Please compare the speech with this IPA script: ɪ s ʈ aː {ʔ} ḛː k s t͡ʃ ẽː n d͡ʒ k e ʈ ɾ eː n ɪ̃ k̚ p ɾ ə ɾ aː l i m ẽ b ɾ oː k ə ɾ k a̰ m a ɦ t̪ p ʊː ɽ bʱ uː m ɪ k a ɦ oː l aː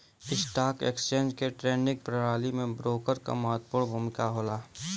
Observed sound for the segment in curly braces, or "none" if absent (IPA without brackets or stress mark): k